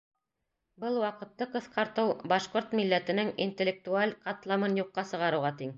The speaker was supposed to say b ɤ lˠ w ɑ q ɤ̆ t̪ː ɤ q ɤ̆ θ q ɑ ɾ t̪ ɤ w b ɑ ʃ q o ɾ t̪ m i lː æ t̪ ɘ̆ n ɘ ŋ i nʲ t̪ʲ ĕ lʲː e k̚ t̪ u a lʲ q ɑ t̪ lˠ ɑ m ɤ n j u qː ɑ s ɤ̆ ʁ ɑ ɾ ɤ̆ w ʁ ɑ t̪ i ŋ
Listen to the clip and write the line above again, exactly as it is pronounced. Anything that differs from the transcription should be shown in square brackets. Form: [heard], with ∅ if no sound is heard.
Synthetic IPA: b ɤ lˠ w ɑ q ɤ̆ t̪ː ɤ q ɤ̆ θ q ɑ ɾ t̪ ɤ w b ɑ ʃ q o ɾ t̪ m i lː æ t̪ ɘ̆ n ɘ ŋ i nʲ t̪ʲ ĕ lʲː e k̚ t̪ u a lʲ q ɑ t̪ lˠ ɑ m ɤ n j u qː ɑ s ɤ̆ ʁ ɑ ɾ ɤ̆ w ʁ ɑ t̪ i ŋ